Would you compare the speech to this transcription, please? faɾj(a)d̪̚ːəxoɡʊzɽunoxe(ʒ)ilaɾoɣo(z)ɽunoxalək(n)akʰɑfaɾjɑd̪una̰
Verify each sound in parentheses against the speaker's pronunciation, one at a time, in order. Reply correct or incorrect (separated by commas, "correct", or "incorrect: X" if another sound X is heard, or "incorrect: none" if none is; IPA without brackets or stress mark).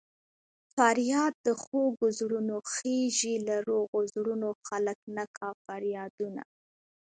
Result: incorrect: ɑ, correct, correct, correct